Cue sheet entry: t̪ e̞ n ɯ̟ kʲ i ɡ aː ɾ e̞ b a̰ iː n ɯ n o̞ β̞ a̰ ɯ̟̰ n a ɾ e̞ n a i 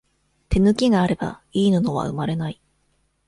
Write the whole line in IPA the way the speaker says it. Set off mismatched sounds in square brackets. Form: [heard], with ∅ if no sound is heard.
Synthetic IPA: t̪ e̞ n ɯ̟ kʲ i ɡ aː ɾ e̞ b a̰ iː n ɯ n o̞ β̞ a̰ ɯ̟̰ [m] a ɾ e̞ n a i